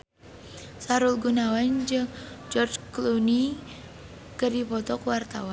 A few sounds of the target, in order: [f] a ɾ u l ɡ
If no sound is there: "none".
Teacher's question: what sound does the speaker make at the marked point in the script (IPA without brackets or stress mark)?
s